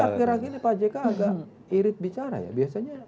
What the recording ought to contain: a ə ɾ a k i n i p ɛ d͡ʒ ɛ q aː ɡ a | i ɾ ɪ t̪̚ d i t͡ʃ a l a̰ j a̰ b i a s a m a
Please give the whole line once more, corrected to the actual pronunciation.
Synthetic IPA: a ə ɾ a k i n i p a d͡ʒ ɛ k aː ɡ a | i ɾ ɪ t̪̚ b i t͡ʃ a ɾ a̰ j a̰ b i a s a ɲ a